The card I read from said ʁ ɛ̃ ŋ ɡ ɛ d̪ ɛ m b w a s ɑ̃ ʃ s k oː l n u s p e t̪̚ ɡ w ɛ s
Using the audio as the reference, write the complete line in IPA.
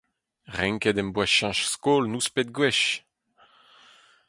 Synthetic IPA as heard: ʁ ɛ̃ ŋ k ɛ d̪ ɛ m b w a ʃ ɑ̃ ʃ s k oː l n u s p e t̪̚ ɡ w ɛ ʃ